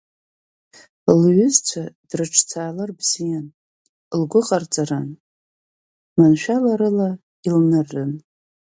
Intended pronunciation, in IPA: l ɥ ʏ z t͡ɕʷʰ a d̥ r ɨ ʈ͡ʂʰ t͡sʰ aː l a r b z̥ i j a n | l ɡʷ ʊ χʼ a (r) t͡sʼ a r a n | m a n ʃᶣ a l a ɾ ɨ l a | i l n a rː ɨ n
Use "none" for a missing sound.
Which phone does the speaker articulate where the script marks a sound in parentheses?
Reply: r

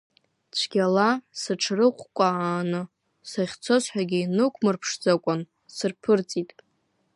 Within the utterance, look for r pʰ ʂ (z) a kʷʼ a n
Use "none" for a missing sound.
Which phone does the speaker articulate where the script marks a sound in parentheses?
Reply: d͡z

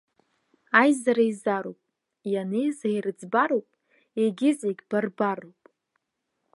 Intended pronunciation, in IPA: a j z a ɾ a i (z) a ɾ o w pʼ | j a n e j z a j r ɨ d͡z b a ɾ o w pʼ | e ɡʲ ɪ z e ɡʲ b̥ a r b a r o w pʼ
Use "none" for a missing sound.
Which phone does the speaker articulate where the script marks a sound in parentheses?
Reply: z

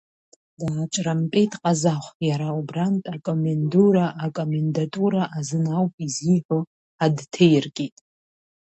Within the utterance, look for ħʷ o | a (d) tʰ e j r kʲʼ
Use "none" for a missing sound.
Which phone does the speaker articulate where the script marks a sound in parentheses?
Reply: d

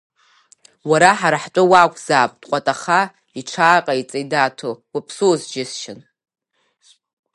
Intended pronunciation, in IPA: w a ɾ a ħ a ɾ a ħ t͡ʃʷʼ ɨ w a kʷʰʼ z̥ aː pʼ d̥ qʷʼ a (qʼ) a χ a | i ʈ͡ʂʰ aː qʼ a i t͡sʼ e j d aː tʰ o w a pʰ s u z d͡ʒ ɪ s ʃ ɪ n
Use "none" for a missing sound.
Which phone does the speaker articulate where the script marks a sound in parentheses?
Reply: tʼ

